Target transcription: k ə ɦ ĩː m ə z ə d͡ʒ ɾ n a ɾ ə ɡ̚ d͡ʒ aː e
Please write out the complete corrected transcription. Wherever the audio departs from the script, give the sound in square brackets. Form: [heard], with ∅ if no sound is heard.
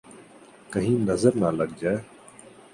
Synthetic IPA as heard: k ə ɦ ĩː [n] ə z ə [∅] ɾ n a [l] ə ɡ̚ d͡ʒ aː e